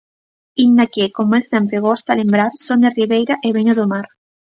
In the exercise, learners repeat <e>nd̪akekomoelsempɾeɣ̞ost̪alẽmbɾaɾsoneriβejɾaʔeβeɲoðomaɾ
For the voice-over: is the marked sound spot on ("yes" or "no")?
no